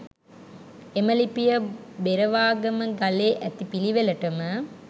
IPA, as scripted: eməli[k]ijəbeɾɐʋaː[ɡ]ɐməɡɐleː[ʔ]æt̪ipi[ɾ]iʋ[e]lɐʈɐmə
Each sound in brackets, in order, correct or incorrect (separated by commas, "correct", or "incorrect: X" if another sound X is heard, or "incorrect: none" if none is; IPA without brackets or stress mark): incorrect: p, correct, correct, incorrect: l, correct